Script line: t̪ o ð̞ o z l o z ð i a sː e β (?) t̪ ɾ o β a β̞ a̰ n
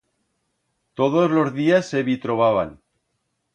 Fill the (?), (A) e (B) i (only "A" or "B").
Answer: B